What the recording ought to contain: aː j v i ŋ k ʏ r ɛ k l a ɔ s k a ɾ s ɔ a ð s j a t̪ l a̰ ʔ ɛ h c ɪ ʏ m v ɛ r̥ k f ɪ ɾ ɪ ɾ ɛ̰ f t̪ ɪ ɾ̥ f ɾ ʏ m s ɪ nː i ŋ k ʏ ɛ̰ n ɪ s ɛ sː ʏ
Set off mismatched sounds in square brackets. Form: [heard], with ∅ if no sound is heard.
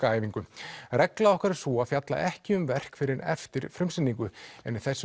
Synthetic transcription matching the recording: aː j v i ŋ k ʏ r ɛ k l a ɔ [h] k a ɾ s ɔ a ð [f] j a t̪ l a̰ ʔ ɛ h c ɪ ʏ m v ɛ r̥ k f ɪ ɾ ɪ ɾ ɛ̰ f t̪ ɪ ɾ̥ f ɾ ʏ m s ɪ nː i ŋ k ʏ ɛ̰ n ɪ [θ] ɛ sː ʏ